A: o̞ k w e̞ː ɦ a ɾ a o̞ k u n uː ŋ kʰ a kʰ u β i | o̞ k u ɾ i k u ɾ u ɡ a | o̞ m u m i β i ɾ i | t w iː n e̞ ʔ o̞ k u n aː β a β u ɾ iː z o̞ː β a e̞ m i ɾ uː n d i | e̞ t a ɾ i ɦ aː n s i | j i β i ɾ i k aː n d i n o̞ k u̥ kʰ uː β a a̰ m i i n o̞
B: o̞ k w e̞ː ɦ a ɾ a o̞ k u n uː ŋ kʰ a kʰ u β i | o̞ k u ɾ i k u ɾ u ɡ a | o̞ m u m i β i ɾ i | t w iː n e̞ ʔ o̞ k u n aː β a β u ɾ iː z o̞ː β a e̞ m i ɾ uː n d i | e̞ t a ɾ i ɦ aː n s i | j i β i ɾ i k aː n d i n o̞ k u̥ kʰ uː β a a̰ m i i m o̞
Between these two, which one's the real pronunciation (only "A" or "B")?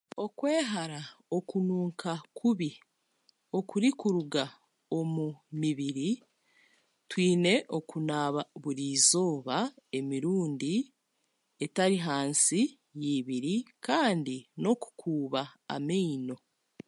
A